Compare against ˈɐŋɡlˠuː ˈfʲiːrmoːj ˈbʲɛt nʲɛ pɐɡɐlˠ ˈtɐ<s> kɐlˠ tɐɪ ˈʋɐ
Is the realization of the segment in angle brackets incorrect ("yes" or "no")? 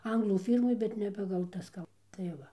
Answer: no